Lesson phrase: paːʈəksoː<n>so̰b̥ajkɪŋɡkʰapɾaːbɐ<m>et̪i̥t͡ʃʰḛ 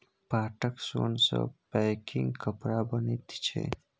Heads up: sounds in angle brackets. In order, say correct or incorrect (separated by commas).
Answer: correct, incorrect